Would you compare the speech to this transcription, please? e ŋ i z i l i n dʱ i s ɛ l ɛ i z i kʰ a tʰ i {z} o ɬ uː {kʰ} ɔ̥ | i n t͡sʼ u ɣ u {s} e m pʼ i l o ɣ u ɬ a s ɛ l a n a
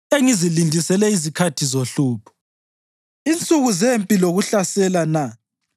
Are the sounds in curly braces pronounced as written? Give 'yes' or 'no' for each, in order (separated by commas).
yes, no, no